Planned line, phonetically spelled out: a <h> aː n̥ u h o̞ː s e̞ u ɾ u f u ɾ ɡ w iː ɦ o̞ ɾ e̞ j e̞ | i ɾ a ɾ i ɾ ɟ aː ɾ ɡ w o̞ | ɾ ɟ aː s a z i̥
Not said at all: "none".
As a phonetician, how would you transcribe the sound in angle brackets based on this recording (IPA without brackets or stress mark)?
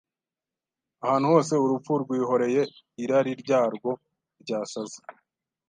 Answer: h